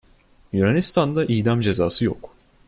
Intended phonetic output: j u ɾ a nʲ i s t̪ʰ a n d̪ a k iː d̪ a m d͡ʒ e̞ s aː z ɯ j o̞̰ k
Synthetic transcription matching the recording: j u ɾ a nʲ i s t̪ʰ a n d̪ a ʔ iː d̪ a m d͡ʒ e̞ z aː s ɯ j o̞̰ k

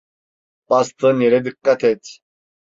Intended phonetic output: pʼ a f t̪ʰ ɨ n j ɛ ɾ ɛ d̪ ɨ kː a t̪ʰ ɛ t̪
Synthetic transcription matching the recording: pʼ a s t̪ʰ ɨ n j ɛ ɾ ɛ d̪ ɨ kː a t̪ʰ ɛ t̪

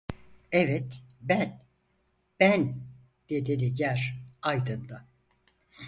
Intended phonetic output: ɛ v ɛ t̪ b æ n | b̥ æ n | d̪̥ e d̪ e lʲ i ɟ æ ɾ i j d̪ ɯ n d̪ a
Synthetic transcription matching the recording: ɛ v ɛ t̪ b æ n | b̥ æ n | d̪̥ e d̪ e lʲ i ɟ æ ɾ a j d̪ ɯ n d̪ a

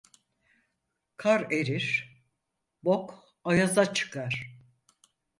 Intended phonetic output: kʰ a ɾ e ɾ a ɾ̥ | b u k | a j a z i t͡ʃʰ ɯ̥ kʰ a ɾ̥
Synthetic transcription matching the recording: kʰ a ɾ e ɾ i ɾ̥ | b o k | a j a z a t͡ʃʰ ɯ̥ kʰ a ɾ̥

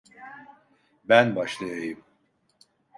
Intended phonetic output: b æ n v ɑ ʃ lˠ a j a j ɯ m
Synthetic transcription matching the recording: b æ n b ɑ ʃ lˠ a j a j ɯ m

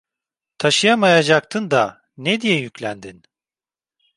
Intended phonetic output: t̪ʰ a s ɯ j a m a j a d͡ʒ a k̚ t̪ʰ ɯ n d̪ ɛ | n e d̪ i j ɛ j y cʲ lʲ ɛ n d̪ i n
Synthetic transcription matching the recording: t̪ʰ a ʃ ɯ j a m a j a d͡ʒ a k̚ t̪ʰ ɯ n d̪ a | n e d̪ i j ɛ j y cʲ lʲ æ n d̪ i n

